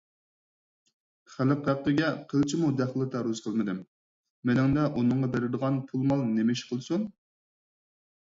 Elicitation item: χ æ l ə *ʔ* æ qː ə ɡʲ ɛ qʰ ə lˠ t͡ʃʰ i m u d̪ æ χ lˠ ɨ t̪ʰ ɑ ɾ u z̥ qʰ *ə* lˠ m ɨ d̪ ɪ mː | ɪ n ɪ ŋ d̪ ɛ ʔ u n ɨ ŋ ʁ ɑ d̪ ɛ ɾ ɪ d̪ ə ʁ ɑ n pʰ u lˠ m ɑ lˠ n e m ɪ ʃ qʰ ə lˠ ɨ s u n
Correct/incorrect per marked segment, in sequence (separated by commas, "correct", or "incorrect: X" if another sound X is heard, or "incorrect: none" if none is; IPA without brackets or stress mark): incorrect: q, correct